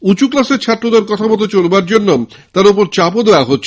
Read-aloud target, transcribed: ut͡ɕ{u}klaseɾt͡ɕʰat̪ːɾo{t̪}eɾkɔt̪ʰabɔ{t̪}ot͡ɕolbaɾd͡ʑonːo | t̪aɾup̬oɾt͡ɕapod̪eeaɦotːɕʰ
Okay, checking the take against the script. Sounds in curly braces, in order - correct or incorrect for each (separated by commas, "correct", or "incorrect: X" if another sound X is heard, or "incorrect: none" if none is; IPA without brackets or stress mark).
correct, incorrect: d̪, correct